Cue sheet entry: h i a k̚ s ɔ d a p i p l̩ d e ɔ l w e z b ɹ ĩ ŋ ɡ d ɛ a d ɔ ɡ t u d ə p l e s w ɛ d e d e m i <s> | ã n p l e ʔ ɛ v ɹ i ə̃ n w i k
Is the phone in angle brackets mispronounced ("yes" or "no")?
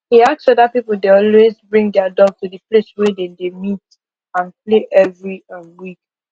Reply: yes